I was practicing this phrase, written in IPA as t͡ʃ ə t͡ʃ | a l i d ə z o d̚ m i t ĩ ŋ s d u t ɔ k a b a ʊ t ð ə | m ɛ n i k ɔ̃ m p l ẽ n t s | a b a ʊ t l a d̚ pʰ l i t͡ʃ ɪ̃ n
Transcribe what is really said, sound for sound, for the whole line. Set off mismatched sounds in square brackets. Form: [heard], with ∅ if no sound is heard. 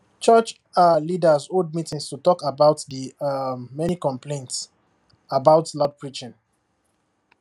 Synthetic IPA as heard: t͡ʃ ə t͡ʃ | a l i d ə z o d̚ m i t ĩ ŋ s [t] u t ɔ k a b a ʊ t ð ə | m ɛ n i k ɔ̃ m p l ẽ n t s | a b a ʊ t l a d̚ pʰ [ɹ] i t͡ʃ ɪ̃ n